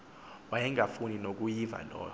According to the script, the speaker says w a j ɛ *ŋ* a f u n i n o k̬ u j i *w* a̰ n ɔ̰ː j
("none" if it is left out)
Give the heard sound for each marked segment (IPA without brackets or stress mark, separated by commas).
ŋ, v